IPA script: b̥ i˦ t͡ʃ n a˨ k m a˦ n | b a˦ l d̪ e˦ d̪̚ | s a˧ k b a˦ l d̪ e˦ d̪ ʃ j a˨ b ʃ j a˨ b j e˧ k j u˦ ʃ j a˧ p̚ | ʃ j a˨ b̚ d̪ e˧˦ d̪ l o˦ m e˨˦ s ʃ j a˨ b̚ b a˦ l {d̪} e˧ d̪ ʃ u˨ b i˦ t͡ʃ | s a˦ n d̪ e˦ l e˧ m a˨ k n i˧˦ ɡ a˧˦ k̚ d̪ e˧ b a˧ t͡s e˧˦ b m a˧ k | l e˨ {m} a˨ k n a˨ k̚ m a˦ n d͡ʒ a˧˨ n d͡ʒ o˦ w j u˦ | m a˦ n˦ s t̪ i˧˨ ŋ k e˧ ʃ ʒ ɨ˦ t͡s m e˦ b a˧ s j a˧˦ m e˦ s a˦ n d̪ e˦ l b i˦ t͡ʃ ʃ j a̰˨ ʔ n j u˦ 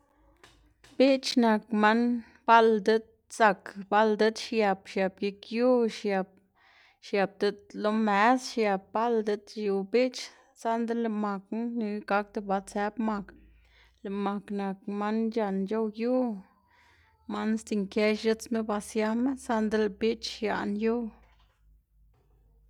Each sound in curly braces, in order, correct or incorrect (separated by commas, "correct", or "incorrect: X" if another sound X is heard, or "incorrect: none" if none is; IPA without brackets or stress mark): correct, correct